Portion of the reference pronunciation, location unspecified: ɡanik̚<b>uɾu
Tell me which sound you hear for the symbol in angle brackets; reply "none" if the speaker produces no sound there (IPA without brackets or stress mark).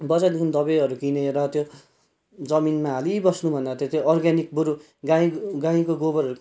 b